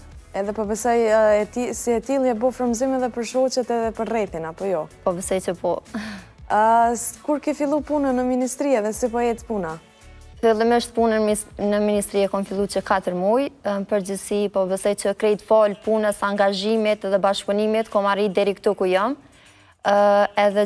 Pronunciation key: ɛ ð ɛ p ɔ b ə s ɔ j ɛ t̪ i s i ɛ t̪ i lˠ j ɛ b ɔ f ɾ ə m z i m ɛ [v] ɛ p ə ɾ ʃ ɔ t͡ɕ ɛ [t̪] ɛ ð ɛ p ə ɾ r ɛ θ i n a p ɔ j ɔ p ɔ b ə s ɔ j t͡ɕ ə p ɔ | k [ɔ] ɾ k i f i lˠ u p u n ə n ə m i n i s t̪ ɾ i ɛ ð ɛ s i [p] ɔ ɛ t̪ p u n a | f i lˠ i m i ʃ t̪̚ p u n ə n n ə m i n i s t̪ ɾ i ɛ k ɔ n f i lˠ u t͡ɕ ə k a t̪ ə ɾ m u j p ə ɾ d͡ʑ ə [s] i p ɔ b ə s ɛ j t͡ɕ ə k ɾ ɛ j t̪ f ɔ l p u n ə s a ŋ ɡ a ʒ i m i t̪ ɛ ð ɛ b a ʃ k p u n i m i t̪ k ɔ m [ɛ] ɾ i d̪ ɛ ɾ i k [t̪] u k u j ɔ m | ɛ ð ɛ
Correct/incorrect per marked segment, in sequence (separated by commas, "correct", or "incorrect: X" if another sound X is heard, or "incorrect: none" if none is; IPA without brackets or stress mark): incorrect: ð, correct, incorrect: u, correct, correct, incorrect: a, correct